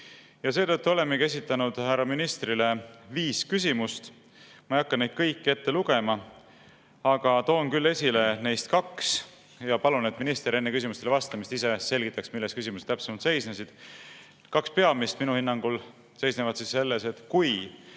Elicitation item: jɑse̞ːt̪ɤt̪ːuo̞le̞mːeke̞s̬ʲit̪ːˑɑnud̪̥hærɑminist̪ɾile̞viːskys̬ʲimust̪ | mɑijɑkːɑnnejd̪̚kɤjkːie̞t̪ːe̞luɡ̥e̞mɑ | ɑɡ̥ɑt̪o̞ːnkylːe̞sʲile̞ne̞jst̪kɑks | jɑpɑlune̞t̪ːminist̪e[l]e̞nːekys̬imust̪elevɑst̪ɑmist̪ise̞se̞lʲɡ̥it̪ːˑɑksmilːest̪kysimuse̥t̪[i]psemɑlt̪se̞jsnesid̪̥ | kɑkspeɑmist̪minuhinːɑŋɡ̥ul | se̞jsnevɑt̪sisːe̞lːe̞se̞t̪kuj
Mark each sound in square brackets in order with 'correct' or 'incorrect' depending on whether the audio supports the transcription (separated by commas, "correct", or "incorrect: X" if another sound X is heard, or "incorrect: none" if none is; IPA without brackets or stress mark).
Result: incorrect: ɾ, incorrect: æ